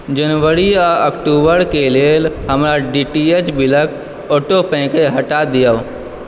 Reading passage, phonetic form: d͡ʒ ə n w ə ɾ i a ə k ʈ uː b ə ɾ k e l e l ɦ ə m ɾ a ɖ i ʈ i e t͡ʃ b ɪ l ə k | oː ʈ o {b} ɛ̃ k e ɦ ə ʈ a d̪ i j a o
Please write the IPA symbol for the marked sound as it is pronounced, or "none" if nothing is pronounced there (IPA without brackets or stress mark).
p